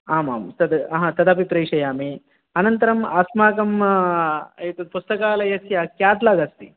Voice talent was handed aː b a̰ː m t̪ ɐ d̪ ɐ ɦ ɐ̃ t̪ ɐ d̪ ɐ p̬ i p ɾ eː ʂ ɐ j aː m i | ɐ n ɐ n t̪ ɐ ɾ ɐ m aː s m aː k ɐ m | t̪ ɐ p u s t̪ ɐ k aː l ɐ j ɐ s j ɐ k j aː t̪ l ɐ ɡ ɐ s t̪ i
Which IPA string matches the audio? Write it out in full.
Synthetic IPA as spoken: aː m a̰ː m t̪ ɐ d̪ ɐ ɦ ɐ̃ t̪ ɐ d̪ ɐ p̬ i p ɾ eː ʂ ɐ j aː m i | ɐ n ɐ n t̪ ɐ ɾ ɐ m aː s m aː k ɐ m | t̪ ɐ p u s t̪ ɐ k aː l ɐ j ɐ s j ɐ k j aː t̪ l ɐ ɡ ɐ s t̪ i